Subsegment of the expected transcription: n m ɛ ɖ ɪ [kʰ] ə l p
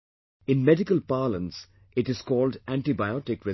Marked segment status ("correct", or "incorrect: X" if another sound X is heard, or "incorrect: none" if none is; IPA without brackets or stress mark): incorrect: k